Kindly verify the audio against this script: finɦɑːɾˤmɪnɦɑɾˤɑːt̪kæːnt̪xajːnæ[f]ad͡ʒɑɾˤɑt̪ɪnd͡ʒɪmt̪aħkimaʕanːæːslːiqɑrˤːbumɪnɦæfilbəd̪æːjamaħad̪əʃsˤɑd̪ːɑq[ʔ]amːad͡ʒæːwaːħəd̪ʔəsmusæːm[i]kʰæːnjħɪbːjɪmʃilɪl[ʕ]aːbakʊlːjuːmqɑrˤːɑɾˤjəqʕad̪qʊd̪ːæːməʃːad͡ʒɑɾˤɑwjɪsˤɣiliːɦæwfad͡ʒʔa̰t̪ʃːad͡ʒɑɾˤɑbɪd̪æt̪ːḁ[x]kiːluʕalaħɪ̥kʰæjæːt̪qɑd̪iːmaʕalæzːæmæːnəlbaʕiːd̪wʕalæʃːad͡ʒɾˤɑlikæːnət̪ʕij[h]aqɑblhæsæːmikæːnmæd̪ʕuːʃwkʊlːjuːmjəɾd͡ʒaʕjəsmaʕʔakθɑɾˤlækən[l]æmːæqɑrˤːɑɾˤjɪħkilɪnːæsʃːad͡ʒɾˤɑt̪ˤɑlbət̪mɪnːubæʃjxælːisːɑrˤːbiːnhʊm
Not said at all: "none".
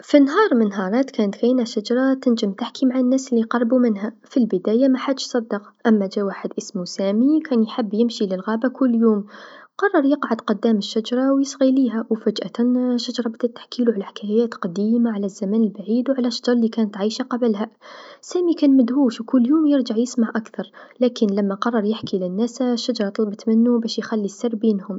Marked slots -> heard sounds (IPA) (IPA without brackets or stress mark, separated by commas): ʃ, ʔ, i, ɣ, ħ, ʃ, l